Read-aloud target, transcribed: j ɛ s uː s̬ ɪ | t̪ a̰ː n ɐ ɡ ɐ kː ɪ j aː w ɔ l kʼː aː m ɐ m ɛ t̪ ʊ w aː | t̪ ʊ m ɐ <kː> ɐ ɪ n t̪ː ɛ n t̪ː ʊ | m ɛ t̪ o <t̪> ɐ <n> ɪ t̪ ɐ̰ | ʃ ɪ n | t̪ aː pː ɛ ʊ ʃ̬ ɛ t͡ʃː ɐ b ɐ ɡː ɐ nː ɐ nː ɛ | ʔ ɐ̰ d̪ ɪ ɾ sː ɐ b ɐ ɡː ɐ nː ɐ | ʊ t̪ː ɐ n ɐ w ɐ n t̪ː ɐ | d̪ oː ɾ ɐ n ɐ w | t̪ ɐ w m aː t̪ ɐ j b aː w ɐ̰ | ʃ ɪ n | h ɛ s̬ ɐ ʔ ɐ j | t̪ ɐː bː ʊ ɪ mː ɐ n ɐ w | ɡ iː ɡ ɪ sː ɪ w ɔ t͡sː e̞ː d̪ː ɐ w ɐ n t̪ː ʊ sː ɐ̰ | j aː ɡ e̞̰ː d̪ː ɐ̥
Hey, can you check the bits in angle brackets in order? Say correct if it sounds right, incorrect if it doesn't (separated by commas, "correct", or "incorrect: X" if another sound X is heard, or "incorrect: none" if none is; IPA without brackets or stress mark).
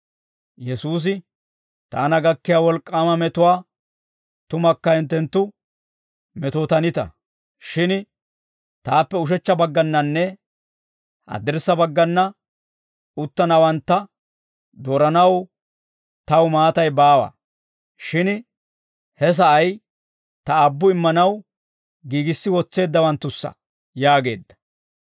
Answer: correct, correct, correct